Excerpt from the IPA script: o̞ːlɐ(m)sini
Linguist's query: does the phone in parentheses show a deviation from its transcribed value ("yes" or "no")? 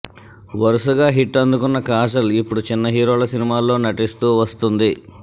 yes